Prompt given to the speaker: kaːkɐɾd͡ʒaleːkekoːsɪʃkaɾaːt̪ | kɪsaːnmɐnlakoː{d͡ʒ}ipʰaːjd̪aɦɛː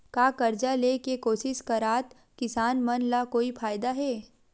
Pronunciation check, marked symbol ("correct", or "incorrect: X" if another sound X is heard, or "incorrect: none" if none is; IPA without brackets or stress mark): incorrect: none